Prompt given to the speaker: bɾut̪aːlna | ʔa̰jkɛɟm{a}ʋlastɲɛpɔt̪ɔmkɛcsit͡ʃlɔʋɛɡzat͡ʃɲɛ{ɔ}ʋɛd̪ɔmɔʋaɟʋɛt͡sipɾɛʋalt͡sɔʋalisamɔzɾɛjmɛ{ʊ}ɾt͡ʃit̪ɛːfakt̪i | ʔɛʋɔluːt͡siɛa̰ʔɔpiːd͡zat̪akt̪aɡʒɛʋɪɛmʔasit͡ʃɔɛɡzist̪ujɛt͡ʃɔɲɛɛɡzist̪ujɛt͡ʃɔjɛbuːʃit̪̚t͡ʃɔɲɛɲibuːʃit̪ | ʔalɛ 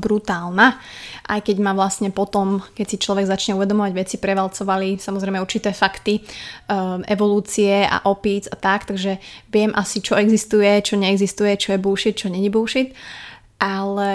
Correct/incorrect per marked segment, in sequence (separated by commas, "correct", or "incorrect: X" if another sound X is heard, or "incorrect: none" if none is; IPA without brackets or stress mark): correct, incorrect: u, incorrect: u